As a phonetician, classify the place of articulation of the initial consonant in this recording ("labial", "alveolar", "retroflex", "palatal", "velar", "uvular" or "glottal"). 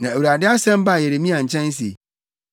alveolar